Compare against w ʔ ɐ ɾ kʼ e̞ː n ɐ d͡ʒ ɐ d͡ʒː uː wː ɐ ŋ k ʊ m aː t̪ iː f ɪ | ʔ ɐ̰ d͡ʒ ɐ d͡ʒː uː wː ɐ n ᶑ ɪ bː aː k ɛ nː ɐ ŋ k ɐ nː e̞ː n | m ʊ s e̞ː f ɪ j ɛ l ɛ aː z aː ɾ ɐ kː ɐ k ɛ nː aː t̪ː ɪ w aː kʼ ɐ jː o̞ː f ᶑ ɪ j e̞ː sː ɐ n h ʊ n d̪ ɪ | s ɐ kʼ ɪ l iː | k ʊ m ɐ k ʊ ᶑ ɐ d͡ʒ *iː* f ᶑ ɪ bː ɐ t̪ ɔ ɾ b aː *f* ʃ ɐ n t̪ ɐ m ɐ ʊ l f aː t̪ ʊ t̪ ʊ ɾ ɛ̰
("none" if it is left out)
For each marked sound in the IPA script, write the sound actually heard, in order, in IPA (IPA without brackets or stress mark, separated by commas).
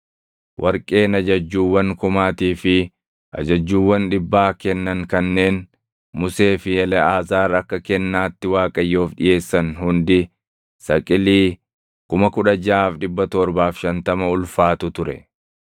aː, f